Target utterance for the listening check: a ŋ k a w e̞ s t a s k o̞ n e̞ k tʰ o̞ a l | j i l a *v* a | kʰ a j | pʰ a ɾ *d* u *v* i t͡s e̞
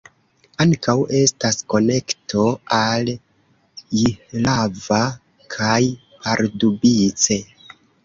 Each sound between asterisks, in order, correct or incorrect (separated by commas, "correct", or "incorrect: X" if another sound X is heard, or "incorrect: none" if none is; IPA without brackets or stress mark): correct, correct, incorrect: b